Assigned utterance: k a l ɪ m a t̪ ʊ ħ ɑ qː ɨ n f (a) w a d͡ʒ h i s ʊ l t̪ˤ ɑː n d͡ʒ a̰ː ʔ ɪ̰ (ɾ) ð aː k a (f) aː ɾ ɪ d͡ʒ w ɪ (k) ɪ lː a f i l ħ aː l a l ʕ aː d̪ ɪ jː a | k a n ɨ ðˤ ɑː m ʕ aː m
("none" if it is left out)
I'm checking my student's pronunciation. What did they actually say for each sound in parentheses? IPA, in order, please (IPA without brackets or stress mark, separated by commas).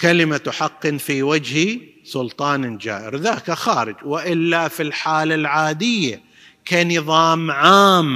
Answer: i, ɾ, x, ʔ